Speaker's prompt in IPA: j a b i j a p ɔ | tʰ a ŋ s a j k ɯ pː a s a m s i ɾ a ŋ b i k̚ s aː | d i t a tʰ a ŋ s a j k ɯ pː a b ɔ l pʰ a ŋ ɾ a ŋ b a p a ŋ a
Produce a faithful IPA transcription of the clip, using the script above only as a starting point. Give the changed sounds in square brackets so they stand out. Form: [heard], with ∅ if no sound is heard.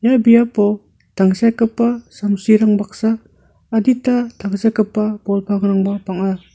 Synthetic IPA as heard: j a b i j a p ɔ | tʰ a ŋ s a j k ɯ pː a s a m s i ɾ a ŋ b [a] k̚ s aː | d i t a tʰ a ŋ s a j k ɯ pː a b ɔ l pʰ a ŋ ɾ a ŋ b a p a ŋ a